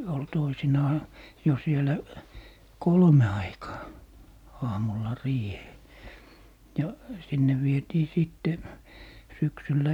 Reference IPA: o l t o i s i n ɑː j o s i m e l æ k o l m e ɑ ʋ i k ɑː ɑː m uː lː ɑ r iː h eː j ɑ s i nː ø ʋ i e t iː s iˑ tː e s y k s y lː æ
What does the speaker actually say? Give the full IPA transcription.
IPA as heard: o l t o i s i n ɑː j o s i e l æ k o l m e ɑ i k ɑː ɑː m u lː ɑ r iː h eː j ɑ s i nː e ʋ i e t iː s iˑ tː e s y k s y lː æ

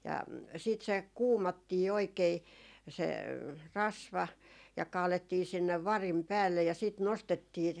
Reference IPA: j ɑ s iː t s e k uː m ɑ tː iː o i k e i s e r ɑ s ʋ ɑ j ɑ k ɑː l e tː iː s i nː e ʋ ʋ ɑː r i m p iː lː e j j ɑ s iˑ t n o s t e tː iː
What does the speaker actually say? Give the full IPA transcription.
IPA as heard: j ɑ s iː t s e k uː m ɑ tː iː o i k e i s e r ɑ s ʋ ɑ j ɑ k ɑː l e tː iː s i nː e ʋ ʋ ɑ r i m p æː lː e j j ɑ s iˑ t n o s t e tː iː

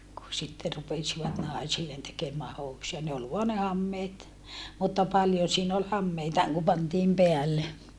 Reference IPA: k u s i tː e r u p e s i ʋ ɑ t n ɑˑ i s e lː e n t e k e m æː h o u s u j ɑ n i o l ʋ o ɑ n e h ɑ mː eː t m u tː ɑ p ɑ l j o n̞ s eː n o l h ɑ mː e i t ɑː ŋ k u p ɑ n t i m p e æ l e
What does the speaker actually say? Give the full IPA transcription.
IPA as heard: k u s i tː e r u p e s i ʋ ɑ t n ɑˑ i s i lː e n t e k e m æː h o u s u j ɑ n e o l ʋ o ɑ n e h ɑ mː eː t m u tː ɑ p ɑ l j o n̞ s iː n o l h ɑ mː e i t ɑː ŋ k u p ɑ n t iː m p e æ lː e

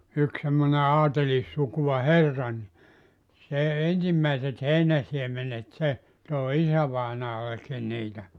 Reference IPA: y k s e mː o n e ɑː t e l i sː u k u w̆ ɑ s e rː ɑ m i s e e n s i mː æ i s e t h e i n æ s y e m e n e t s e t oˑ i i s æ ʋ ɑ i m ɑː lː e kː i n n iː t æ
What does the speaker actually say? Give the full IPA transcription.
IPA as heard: y k s e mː o n e ɑː t e l i sː u k u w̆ ɑ h e rː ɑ n i s e e n s i mː æ i s e t h e i n æ s i e m e n e t s e t oˑ i i s æ ʋ ɑ i n ɑː l e kː i n n iː t æ

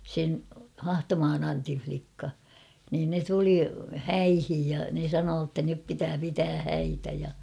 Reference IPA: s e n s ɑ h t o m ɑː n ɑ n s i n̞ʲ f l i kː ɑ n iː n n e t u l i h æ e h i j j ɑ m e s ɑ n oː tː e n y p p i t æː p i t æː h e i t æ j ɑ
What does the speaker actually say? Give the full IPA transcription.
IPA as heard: s e n h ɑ h t o m ɑː n ɑ n t i n̞ʲ f l i kː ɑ n iː n n e t u l i h æ i h i j j ɑ n e s ɑ n oː tː æ n y p p i t æː p i t æː h æ i t æ j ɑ

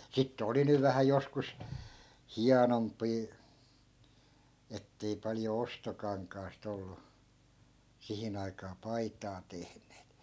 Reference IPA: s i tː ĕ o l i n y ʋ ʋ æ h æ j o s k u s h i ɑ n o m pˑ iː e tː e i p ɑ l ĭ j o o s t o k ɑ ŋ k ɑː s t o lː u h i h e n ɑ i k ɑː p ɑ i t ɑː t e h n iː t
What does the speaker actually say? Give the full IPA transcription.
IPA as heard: s i tː ĕ o l i n y ʋ ʋ æ h æ j o s k u s h i ɑ n o m pˑ iː e tː e i p ɑ l ĭ j o o s t o k ɑ ŋ k ɑː s t o lː u s i h i n ɑ i k ɑː p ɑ i t ɑː t e h n eː t

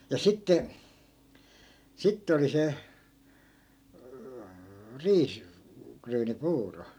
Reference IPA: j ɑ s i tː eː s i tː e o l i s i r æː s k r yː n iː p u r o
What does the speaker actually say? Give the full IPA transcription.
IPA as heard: j ɑ s i tː e s i tː e o l i s e r iː s k r yː n i p uː r o

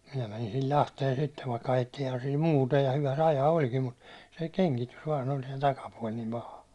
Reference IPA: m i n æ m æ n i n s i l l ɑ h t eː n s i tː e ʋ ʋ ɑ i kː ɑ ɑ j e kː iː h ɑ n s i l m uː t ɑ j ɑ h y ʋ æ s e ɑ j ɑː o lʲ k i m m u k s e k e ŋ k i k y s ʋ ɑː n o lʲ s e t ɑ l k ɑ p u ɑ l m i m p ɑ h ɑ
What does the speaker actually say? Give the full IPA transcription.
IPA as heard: m i n æ m æ n i n s i l l ɑ h t eː n s i tː e ʋ ʋ ɑ i kː ɑ ɑ j e tː iː h ɑ n s i l m uː t ɑ j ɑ h y ʋ æ s e ɑ j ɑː o lʲ k i m m u t s e k e ŋ k i t y s ʋ ɑː n o lʲ s e t ɑ k ɑ p u ɒ l n i m p ɑ h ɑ

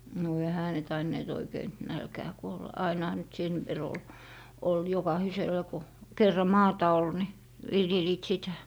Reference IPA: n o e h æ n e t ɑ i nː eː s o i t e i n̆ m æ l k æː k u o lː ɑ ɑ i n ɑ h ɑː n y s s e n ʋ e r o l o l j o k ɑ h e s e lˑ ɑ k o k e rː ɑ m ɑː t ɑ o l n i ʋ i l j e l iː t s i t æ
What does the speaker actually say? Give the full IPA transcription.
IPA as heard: n o e h æ n e t ɑ i nː eː t o i k e i n̆ n æ l k æː k u o lː ɑ ɑ i n ɑ h ɑ n y t s e n ʋ e r o l o l j o k ɑ h i s e lˑ ɑ k o k e rː ɑ m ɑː t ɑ o l n i ʋ i l j e l iː t s i t æ

